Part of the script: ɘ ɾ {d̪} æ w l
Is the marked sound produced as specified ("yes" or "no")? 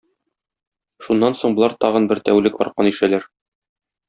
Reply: no